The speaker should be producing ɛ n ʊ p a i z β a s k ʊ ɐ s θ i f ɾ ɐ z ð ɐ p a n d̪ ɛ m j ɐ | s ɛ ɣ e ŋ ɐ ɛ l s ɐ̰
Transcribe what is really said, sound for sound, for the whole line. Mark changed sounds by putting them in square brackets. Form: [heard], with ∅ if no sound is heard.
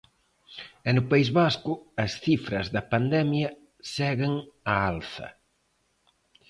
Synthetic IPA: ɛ n ʊ p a i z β a s k ʊ ɐ s θ i f ɾ ɐ z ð ɐ p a n d̪ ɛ m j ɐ | s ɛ ɣ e ŋ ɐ [a] l [θ] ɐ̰